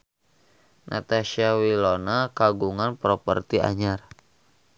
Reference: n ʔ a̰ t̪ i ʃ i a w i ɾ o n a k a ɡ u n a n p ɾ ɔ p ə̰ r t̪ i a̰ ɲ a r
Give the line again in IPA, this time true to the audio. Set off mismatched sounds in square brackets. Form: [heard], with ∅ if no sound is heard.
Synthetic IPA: n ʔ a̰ t̪ [a] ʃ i a w i [l] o n a k a ɡ u [ŋ] a n p ɾ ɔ p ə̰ r t̪ i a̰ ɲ a r